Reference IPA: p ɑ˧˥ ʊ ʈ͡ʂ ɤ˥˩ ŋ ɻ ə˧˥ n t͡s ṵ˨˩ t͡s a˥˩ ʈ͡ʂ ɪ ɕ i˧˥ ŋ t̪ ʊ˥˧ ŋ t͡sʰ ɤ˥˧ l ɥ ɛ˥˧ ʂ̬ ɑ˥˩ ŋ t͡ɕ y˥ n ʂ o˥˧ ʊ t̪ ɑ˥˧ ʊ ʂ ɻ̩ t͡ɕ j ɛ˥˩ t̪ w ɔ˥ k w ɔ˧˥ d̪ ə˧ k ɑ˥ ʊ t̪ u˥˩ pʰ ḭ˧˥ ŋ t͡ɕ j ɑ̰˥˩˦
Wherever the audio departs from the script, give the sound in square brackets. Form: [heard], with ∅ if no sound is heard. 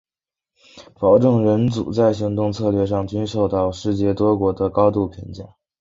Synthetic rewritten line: p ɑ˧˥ ʊ ʈ͡ʂ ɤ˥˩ ŋ ɻ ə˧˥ n t͡s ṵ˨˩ t͡s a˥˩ [∅] ɪ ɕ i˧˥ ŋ t̪ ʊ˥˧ ŋ t͡sʰ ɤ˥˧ l ɥ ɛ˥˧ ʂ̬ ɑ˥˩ ŋ t͡ɕ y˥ n ʂ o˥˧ ʊ t̪ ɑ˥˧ ʊ ʂ ɻ̩ t͡ɕ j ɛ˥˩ t̪ w ɔ˥ k w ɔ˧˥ d̪ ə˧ k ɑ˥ ʊ t̪ u˥˩ pʰ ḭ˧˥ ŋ t͡ɕ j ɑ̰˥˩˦